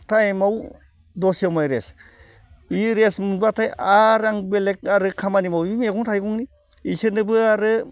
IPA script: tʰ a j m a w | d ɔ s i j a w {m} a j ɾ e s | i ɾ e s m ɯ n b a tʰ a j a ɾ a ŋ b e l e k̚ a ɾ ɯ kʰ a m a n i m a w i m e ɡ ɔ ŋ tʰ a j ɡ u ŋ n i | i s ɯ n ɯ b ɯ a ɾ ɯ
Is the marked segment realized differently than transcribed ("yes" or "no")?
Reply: no